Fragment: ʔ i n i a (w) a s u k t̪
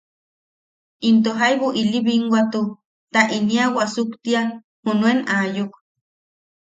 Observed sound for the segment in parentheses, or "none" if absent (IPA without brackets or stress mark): w